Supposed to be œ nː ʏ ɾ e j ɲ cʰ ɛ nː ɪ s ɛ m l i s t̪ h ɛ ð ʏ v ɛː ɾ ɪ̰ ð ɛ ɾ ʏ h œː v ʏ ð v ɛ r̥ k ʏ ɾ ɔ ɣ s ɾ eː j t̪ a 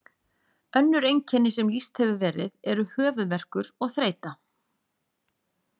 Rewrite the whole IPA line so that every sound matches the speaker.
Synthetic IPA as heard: œ nː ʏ ɾ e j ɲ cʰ ɛ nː ɪ s ɛ m l i s t̪ h ɛ v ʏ v ɛː ɾ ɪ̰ ð ɛ ɾ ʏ h œː v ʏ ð v ɛ r̥ k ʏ ɾ ɔ ɣ θ ɾ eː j t̪ a